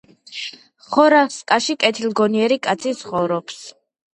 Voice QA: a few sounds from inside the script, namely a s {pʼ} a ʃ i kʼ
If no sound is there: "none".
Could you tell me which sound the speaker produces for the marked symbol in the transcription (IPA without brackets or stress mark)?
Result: kʼ